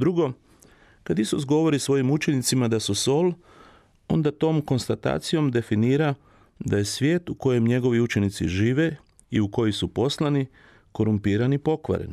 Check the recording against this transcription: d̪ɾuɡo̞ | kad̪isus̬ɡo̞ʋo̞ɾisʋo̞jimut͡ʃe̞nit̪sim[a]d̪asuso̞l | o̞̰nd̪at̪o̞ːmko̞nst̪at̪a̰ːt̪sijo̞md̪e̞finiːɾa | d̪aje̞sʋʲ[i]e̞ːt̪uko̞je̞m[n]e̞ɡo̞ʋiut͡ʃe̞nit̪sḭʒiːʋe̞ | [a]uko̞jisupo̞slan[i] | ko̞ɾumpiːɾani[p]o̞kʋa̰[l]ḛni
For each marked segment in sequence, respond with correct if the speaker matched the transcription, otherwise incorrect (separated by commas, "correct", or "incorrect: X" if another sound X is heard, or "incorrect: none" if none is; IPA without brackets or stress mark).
correct, incorrect: j, incorrect: ɲ, incorrect: i, correct, correct, incorrect: ɾ